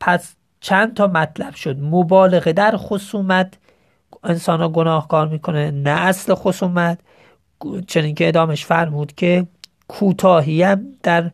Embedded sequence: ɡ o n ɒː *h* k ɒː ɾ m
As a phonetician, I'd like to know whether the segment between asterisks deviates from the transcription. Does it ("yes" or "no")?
no